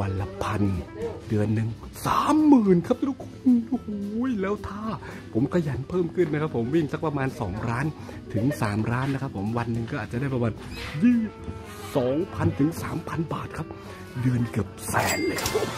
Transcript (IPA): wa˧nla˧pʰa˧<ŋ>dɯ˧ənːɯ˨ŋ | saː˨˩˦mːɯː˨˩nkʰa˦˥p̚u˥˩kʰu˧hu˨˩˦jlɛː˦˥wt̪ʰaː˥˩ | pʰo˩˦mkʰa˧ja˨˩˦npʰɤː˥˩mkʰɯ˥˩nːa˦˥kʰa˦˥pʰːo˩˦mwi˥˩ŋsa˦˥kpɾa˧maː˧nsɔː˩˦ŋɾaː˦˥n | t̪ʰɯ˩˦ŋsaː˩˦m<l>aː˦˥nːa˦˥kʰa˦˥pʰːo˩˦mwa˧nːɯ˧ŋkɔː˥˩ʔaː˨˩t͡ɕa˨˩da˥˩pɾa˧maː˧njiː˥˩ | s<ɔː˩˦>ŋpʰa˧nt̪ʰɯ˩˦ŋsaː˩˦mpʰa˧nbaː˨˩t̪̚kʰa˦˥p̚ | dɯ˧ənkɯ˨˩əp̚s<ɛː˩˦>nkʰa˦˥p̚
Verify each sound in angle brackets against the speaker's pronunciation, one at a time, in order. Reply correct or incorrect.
incorrect: n, incorrect: ɾ, correct, correct

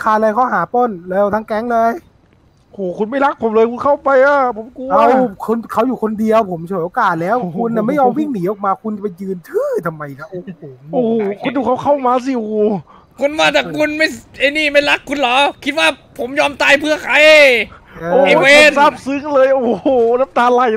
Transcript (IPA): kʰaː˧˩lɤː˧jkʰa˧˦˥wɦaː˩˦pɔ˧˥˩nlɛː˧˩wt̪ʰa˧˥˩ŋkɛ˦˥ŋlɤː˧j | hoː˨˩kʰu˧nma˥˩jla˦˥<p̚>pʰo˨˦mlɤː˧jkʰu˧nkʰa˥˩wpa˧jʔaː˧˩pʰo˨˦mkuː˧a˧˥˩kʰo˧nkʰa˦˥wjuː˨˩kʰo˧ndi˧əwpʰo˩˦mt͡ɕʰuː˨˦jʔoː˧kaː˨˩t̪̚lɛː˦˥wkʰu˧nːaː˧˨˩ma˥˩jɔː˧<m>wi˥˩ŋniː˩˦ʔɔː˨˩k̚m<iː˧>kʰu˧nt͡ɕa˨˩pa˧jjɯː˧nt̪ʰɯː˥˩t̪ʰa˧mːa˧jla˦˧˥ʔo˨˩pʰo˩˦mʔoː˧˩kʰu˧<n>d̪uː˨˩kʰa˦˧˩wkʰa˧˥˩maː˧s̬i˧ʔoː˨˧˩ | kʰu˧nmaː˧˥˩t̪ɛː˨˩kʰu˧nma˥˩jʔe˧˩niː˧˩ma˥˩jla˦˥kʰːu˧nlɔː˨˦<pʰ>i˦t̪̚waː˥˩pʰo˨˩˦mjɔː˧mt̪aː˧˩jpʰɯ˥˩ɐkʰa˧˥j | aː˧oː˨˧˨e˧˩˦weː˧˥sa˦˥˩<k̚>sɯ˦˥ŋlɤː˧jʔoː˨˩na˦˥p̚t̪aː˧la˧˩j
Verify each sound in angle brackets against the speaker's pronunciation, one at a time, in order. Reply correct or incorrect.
incorrect: k̚, correct, incorrect: aː˧, correct, incorrect: kʰ, incorrect: p̚

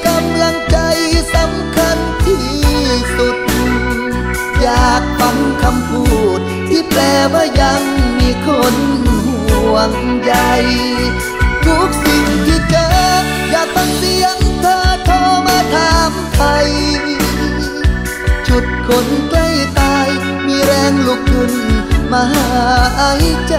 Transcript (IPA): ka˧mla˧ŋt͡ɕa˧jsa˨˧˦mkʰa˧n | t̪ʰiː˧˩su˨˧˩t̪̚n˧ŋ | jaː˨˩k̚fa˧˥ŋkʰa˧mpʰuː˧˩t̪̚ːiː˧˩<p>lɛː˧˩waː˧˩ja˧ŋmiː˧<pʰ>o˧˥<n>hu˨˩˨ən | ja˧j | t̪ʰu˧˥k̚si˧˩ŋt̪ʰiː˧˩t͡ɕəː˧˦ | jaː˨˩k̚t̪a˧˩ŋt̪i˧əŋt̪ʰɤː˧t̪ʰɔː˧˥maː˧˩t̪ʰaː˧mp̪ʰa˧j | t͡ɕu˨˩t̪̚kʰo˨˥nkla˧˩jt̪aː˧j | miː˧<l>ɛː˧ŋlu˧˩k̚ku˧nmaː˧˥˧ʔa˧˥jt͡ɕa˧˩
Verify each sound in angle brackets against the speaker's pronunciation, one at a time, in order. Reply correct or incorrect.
correct, incorrect: kʰ, correct, incorrect: ɾ

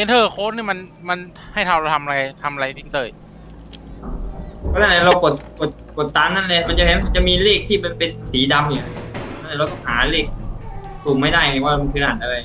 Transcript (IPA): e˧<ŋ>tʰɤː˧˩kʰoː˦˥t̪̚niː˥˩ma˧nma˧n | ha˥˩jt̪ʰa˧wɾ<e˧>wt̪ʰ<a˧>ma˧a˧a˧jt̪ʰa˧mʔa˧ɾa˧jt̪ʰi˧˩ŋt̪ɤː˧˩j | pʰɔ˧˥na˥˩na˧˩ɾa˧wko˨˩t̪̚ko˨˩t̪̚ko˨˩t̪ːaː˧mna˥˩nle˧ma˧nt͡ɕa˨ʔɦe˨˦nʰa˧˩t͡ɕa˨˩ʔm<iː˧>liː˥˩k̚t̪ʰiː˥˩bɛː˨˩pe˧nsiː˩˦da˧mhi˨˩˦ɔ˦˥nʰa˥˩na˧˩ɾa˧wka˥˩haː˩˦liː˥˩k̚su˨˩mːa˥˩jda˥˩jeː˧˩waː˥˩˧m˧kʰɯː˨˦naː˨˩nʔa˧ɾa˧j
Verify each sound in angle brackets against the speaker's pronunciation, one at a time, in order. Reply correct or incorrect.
incorrect: n, incorrect: a˧, correct, correct

